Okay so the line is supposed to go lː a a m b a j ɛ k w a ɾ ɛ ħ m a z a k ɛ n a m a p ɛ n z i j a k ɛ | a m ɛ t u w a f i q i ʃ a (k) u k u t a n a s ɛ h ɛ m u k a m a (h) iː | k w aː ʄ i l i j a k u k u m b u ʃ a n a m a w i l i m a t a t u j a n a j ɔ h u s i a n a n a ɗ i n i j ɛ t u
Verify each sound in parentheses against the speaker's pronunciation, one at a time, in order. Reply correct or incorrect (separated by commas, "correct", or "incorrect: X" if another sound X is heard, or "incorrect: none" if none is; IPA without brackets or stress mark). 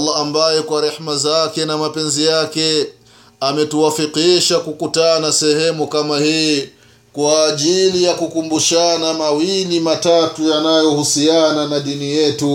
correct, correct